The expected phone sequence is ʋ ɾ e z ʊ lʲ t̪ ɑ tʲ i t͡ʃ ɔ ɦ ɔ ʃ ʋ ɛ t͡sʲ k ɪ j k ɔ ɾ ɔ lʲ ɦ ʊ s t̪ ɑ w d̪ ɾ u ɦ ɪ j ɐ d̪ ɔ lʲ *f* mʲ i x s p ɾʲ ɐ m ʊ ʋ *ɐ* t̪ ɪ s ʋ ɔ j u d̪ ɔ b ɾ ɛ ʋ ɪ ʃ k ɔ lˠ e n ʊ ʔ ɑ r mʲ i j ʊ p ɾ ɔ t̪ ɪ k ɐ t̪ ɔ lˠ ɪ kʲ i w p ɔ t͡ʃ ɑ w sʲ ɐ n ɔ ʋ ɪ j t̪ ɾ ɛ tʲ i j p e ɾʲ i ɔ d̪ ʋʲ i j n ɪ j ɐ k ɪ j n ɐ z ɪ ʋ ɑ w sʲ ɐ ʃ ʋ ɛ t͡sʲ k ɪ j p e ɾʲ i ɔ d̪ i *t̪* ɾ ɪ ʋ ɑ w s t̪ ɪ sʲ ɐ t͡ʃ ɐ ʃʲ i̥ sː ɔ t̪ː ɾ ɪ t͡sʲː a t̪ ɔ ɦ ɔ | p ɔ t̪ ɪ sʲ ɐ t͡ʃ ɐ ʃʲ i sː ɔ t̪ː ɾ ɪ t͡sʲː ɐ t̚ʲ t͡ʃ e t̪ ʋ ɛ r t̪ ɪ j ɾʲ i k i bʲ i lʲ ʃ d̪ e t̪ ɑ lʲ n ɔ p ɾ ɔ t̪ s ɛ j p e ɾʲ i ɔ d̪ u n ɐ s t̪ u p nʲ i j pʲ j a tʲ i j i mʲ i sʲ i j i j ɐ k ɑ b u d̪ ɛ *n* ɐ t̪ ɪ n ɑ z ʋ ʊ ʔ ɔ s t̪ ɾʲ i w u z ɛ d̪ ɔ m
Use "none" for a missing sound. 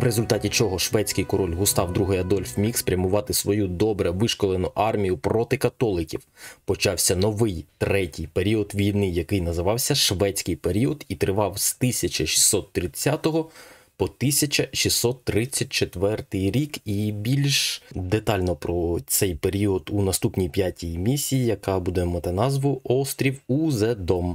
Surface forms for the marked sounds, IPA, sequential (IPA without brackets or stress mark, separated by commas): f, ɑ, t̪, m